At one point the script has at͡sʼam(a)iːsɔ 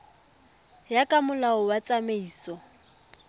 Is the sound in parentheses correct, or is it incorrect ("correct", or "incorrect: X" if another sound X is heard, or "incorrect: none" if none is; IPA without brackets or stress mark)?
incorrect: e